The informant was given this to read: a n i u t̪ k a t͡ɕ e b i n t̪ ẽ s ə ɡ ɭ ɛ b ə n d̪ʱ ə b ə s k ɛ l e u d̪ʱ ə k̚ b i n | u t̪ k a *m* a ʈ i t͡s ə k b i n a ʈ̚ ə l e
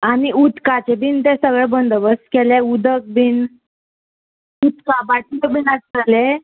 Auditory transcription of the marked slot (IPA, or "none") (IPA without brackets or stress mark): b